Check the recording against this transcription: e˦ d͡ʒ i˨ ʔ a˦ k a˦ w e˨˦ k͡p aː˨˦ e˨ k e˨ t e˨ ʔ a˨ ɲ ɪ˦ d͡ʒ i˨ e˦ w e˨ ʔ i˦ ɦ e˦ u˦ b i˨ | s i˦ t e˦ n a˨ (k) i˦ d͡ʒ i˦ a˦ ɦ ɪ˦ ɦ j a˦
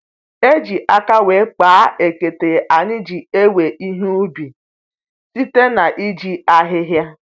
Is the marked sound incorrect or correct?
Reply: incorrect